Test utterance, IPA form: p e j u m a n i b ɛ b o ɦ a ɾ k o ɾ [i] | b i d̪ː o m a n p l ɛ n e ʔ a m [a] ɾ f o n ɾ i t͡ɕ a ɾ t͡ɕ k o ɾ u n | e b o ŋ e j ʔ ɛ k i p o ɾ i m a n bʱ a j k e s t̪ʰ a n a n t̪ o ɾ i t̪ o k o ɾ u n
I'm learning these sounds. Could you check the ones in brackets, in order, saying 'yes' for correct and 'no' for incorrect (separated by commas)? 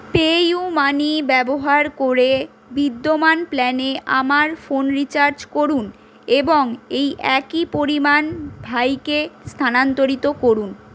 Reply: no, yes